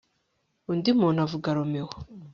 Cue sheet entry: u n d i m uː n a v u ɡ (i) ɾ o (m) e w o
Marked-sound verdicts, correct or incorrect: incorrect: a, correct

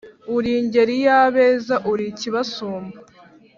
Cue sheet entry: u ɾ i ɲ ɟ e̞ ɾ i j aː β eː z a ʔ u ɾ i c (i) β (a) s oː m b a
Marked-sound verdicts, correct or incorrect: correct, correct

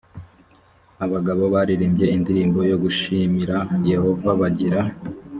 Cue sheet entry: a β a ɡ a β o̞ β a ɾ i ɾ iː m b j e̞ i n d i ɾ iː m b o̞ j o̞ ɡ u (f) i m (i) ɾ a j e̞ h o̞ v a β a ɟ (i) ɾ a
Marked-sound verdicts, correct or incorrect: incorrect: ʃ, correct, correct

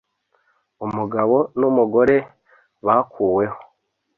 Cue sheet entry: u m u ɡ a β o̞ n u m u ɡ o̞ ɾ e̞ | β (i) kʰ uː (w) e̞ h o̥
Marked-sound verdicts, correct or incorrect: incorrect: a, correct

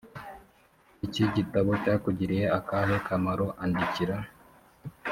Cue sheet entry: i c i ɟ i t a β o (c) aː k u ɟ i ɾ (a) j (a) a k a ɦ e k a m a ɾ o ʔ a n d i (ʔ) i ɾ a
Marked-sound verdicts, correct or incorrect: correct, incorrect: i, incorrect: e, incorrect: c

